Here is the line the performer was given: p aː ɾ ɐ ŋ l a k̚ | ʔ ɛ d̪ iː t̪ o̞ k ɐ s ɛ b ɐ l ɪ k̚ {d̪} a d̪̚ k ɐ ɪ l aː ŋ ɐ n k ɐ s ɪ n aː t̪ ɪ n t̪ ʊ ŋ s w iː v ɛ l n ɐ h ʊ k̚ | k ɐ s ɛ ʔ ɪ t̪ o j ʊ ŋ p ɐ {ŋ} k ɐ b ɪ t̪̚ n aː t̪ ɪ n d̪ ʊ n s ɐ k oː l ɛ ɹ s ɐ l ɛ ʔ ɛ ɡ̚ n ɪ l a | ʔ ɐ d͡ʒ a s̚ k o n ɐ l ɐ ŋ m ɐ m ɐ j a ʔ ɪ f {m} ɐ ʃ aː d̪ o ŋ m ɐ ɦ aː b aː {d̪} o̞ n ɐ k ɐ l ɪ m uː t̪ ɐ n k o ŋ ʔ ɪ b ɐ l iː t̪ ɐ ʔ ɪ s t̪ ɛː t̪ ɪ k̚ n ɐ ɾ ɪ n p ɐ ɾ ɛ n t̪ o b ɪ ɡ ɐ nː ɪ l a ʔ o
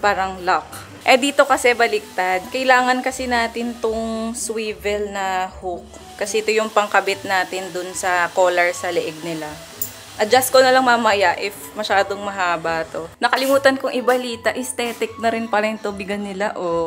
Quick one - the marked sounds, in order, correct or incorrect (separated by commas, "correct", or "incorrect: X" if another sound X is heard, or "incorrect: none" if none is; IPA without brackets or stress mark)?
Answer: incorrect: t̪, correct, correct, incorrect: t̪